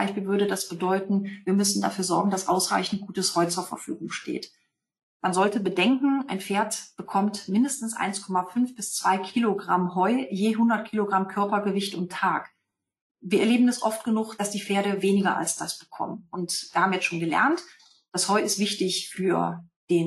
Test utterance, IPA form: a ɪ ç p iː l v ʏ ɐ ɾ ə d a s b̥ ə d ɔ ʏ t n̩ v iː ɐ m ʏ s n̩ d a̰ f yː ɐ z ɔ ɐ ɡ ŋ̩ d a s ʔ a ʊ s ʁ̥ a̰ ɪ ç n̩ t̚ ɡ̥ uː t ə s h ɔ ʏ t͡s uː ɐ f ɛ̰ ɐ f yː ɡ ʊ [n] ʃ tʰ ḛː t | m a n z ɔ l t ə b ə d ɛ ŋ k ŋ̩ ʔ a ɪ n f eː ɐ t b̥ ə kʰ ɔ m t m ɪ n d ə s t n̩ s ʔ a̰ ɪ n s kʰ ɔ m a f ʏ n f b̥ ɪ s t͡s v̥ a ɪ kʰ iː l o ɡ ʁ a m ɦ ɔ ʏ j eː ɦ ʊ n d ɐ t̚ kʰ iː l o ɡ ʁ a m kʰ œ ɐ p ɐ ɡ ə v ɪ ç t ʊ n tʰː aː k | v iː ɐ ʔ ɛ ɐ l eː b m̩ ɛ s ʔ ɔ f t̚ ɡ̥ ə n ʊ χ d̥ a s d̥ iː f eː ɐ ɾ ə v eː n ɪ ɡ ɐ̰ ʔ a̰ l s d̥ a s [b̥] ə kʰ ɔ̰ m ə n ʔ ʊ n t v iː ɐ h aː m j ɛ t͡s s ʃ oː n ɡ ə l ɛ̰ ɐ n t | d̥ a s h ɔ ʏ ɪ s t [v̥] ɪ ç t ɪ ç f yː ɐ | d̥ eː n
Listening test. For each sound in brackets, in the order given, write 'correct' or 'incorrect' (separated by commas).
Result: incorrect, correct, correct